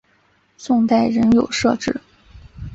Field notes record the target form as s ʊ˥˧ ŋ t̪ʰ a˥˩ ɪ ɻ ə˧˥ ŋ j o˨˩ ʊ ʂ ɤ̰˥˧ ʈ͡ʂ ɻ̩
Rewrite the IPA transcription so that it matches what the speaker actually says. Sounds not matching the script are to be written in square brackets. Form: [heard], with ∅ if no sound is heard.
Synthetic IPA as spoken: s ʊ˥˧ ŋ [t̪] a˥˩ ɪ ɻ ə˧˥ [n] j o˨˩ ʊ ʂ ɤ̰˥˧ ʈ͡ʂ ɻ̩

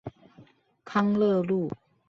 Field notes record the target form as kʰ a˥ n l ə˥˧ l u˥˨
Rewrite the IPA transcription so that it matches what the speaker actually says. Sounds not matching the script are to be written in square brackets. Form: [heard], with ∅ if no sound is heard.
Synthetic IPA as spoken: kʰ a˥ [ŋ] l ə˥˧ l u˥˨

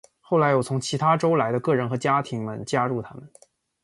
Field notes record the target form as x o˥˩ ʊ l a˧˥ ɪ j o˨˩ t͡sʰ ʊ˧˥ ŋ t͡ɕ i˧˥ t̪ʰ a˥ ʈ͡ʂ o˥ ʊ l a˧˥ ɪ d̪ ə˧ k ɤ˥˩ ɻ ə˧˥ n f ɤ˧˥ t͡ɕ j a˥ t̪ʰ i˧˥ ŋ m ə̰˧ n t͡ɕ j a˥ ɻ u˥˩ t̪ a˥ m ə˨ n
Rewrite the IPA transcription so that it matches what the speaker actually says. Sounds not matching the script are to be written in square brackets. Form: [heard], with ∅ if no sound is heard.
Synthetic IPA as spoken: x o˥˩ ʊ l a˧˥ ɪ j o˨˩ t͡sʰ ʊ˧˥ ŋ [t͡ɕʰ] i˧˥ t̪ʰ a˥ ʈ͡ʂ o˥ ʊ l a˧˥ ɪ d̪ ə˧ k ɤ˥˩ ɻ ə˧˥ n [x] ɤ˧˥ t͡ɕ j a˥ t̪ʰ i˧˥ ŋ m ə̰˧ n t͡ɕ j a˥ ɻ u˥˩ [t̪ʰ] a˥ m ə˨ n

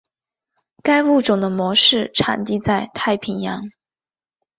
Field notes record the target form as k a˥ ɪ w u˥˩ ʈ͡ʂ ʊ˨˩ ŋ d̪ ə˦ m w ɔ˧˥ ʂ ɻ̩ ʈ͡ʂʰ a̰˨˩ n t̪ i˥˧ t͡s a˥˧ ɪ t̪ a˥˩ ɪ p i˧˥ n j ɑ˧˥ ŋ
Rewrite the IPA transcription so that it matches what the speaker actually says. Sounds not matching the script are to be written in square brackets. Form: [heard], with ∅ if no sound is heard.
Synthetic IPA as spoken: k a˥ ɪ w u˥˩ ʈ͡ʂ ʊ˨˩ ŋ d̪ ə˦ m w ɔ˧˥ ʂ ɻ̩ ʈ͡ʂʰ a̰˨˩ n t̪ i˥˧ t͡s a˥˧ ɪ [t̪ʰ] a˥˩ ɪ [pʰ] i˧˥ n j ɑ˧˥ ŋ

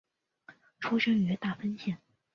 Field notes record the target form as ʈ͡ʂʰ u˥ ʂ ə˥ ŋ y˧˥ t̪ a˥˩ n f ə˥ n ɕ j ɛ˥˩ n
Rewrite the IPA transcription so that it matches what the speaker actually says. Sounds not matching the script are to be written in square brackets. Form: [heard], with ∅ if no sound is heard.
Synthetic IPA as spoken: ʈ͡ʂʰ u˥ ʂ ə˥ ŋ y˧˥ t̪ a˥˩ [∅] f ə˥ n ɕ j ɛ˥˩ n

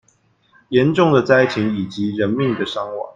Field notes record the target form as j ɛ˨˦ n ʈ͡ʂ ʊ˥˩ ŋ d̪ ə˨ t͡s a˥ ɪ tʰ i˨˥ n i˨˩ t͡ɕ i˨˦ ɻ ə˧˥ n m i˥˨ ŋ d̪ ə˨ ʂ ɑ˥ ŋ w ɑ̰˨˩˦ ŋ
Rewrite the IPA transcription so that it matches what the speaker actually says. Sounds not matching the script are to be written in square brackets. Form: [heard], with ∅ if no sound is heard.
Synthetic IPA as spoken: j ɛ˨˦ n ʈ͡ʂ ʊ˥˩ ŋ d̪ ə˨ t͡s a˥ ɪ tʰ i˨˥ [ŋ] i˨˩ t͡ɕ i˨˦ ɻ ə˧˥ n m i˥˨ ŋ d̪ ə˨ ʂ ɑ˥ ŋ w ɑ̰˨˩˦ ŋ

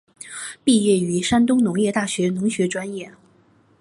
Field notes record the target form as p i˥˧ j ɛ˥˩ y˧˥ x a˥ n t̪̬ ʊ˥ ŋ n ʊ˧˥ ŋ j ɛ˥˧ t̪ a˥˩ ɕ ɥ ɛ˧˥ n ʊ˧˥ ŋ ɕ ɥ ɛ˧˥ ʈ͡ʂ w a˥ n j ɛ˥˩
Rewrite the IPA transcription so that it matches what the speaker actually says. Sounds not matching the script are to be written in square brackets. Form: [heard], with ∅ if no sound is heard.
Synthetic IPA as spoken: p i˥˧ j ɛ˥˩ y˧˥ [ʂ] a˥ n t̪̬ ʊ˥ ŋ n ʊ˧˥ ŋ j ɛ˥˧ t̪ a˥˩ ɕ ɥ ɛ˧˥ n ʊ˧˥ ŋ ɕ ɥ ɛ˧˥ ʈ͡ʂ w a˥ n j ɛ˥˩

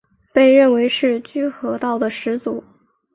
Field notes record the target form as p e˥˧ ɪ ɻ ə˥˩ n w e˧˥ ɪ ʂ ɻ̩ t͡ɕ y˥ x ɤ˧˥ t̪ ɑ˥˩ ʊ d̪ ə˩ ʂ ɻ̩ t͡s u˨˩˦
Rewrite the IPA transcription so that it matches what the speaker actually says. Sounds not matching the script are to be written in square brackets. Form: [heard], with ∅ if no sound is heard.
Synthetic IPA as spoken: p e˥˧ ɪ ɻ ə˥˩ n w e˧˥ ɪ ʂ ɻ̩ t͡ɕ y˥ x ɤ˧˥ t̪ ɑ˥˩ ʊ d̪ ə˩ ʂ ɻ̩ t͡s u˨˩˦

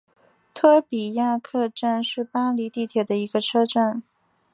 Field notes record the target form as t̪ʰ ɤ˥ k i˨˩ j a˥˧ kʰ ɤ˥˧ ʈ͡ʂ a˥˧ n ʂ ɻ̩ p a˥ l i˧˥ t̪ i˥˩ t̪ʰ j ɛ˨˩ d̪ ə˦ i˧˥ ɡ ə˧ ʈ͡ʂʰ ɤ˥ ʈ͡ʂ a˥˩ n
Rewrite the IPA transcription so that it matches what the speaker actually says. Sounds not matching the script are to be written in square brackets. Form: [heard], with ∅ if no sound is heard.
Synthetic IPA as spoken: t̪ʰ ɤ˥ [p] i˨˩ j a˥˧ kʰ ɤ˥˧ ʈ͡ʂ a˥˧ n ʂ ɻ̩ p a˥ l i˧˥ t̪ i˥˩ t̪ʰ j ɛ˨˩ d̪ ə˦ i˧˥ ɡ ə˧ ʈ͡ʂʰ ɤ˥ ʈ͡ʂ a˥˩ n

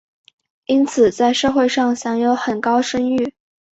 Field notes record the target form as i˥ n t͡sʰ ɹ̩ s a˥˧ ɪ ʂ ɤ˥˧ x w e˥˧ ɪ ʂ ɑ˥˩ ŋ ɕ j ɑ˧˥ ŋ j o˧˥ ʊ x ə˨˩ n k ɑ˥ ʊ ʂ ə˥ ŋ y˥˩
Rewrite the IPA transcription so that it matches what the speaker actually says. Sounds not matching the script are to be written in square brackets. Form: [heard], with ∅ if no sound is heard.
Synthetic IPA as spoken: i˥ n t͡sʰ ɹ̩ [t͡s] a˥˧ ɪ ʂ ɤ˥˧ x w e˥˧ ɪ ʂ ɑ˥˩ ŋ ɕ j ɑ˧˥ ŋ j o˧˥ ʊ x ə˨˩ n k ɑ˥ ʊ ʂ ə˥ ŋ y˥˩

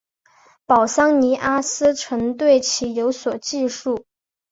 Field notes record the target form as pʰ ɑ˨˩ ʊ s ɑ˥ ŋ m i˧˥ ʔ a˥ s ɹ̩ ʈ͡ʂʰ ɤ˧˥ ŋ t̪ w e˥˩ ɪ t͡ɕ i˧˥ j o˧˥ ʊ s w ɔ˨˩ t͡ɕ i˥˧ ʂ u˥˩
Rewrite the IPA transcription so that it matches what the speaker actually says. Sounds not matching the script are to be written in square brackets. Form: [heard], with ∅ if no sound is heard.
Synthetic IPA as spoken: [p] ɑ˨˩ ʊ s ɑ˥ ŋ [n] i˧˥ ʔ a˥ s ɹ̩ ʈ͡ʂʰ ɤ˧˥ ŋ t̪ w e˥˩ ɪ [t͡ɕʰ] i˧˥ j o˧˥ ʊ s w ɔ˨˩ t͡ɕ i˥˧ ʂ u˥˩

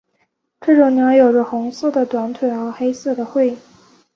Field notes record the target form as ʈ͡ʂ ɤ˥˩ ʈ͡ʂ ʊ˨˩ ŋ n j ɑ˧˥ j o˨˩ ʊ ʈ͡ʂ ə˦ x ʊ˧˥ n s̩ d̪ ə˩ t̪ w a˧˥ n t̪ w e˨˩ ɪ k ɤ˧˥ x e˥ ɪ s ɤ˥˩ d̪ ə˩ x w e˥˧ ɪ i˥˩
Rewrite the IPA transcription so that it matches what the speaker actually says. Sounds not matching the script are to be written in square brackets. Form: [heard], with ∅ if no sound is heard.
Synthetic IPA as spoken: ʈ͡ʂ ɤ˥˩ ʈ͡ʂ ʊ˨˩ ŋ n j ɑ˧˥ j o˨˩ ʊ ʈ͡ʂ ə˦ x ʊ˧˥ [ŋ] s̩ d̪ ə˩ t̪ w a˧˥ n [t̪ʰ] w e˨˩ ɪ [x] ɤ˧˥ x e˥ ɪ s ɤ˥˩ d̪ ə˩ x w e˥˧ ɪ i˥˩

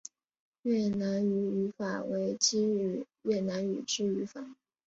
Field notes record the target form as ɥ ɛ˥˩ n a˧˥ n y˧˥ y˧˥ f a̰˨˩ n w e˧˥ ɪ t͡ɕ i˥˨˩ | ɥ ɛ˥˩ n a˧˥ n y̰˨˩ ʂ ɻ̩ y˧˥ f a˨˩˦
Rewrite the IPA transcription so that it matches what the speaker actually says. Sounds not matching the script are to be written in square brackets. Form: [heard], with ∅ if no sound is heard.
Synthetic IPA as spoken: ɥ ɛ˥˩ n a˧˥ n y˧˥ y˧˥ f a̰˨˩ [∅] w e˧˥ ɪ t͡ɕ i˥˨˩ | ɥ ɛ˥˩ n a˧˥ n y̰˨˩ [ʈ͡ʂ] ɻ̩ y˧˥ f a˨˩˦

